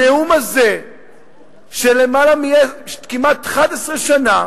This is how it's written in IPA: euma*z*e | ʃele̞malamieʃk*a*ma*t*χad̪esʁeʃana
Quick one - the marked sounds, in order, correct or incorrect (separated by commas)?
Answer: correct, incorrect, correct